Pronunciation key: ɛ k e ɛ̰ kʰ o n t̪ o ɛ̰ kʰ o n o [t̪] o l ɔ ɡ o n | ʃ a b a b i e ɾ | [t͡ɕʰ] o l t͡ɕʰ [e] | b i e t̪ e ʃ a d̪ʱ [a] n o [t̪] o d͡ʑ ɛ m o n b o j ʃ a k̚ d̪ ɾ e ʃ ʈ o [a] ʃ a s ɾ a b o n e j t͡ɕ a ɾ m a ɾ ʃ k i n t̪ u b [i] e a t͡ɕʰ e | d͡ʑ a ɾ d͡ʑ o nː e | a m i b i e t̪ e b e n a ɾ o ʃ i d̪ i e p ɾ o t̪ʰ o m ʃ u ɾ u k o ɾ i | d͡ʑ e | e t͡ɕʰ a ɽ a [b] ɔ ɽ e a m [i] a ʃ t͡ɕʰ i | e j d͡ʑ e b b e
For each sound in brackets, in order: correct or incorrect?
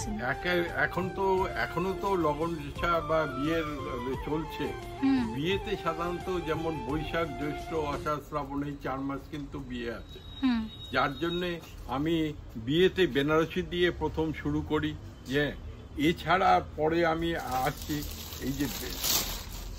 correct, incorrect, correct, correct, correct, correct, correct, incorrect, correct

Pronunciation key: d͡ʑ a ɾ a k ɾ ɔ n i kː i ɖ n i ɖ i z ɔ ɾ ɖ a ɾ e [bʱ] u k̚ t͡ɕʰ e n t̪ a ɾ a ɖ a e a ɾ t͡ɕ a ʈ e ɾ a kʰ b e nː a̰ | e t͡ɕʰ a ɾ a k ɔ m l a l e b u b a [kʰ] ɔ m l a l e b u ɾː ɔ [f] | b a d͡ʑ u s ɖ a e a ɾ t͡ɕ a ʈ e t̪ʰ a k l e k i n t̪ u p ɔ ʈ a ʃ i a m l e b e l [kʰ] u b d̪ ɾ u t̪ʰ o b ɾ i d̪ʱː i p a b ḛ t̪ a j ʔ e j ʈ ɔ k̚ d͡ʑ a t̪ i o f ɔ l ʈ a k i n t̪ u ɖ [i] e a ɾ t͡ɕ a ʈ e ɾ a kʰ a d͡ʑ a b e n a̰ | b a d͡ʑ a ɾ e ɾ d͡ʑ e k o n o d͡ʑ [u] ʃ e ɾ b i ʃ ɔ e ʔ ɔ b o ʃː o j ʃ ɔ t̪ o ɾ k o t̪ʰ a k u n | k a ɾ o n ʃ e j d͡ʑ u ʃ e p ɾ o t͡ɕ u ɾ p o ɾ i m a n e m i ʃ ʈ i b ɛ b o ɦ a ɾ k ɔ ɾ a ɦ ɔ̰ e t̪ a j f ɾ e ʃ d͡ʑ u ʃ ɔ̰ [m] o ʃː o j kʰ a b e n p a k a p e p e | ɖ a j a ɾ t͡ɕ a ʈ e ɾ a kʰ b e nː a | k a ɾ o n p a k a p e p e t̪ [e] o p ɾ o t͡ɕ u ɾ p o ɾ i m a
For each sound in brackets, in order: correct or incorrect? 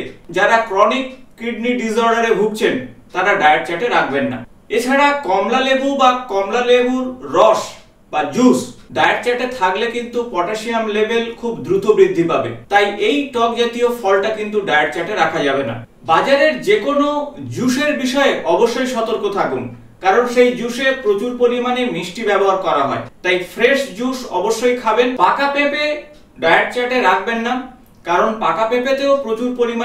correct, incorrect, incorrect, correct, incorrect, correct, incorrect, correct

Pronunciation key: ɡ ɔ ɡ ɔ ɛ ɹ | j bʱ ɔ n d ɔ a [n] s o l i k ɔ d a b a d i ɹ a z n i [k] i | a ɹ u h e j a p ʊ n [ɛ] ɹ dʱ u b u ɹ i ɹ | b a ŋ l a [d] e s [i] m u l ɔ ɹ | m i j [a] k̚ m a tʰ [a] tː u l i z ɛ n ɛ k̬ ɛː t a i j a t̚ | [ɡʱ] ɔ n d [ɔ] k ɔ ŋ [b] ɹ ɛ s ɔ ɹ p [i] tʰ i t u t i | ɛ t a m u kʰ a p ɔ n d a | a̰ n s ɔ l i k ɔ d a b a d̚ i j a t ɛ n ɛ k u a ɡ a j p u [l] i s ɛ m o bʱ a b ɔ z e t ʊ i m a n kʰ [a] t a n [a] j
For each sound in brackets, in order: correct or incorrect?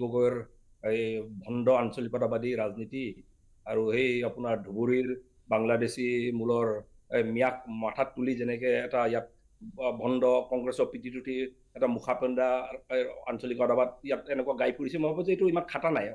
correct, incorrect, incorrect, correct, correct, correct, correct, incorrect, correct, incorrect, correct, incorrect, correct, correct

